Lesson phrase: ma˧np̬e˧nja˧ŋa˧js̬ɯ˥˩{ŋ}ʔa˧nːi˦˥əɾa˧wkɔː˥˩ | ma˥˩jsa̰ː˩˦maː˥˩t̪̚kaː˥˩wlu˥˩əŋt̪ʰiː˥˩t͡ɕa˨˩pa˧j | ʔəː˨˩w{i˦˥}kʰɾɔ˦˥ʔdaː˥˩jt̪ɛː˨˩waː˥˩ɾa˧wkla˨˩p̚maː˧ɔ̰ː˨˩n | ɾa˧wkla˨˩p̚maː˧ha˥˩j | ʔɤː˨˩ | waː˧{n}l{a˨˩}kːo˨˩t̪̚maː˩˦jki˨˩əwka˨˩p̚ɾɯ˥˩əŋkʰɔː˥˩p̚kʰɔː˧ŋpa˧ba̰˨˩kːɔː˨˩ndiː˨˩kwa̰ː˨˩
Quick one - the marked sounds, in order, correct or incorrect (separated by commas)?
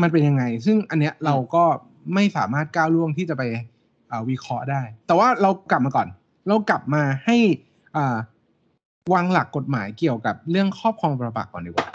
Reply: correct, correct, incorrect, correct